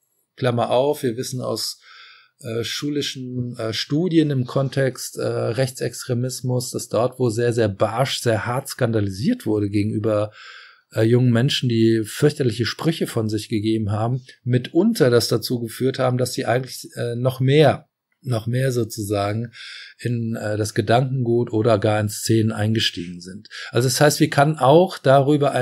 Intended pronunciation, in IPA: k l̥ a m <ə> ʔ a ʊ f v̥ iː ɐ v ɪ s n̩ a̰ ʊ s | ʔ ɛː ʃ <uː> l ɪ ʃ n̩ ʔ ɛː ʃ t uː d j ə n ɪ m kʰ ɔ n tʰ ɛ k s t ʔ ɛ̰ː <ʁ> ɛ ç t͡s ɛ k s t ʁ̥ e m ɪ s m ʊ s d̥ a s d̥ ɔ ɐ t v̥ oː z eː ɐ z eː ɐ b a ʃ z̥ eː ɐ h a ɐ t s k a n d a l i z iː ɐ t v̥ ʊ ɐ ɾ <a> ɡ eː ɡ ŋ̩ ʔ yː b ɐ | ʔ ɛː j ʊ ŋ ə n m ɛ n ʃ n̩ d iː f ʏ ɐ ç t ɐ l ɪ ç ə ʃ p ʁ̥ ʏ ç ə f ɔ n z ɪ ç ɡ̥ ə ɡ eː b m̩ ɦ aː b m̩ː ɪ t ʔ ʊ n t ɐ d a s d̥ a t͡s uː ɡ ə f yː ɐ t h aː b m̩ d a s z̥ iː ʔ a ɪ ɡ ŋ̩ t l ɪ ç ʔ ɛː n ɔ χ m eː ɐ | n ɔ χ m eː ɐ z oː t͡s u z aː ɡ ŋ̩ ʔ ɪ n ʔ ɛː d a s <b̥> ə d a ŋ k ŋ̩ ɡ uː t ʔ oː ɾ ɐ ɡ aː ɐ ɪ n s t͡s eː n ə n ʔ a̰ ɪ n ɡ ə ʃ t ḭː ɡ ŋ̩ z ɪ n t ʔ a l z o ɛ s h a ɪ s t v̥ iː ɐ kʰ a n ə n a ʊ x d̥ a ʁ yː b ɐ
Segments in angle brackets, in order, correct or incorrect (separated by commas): incorrect, correct, correct, incorrect, incorrect